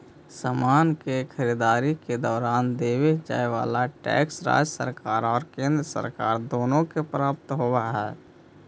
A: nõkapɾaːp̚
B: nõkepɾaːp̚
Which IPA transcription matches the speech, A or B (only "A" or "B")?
B